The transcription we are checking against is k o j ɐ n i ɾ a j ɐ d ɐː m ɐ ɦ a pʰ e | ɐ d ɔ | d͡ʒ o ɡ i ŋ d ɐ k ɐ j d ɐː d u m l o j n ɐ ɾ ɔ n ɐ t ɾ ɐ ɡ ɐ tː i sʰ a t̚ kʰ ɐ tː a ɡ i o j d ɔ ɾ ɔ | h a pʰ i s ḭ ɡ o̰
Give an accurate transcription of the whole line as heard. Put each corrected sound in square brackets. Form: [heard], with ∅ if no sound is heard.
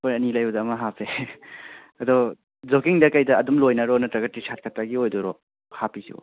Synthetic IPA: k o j ɐ n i [l] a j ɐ d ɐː m ɐ ɦ a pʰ e | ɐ d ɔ | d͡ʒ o [k] i ŋ d ɐ k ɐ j d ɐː d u m l o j n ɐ ɾ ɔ n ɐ t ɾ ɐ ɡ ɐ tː i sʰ a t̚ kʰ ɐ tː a ɡ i o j d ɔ ɾ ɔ | h a [p] i s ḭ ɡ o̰